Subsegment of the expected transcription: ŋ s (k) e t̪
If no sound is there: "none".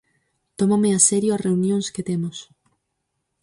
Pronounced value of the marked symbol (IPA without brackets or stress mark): k